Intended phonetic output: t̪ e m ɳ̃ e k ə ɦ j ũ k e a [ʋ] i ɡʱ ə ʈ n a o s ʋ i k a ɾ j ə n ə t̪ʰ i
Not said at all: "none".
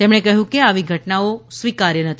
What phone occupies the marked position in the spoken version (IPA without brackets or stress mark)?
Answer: ʋ